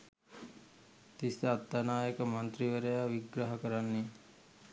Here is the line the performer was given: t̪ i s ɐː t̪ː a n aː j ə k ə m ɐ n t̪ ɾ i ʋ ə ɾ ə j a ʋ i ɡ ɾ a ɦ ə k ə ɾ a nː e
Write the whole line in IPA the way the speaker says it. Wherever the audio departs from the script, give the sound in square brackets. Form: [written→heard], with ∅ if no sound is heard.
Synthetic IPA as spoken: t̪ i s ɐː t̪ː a n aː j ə k ə m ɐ n t̪ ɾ i ʋ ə ɾ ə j a ʋ i ɡ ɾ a ɦ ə k ə ɾ a nː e